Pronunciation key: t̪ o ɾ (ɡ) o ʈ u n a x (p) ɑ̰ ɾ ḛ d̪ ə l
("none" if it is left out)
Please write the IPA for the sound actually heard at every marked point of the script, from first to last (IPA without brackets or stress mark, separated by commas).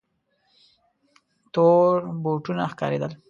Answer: b, k